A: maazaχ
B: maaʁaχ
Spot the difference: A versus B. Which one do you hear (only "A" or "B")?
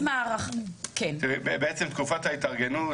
B